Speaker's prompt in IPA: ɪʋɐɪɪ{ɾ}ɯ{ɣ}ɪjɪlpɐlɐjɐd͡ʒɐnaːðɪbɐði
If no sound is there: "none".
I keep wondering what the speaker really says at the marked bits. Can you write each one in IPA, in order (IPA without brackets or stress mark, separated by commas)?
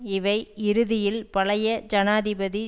ɾ, ð